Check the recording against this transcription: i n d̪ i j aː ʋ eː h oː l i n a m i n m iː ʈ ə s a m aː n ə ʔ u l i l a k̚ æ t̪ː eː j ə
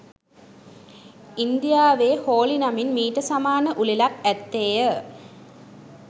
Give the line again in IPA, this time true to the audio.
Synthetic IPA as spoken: i n d̪ i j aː ʋ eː h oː l i n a m i n m iː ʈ ə s a m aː n ə ʔ u l i l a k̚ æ t̪ː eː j ə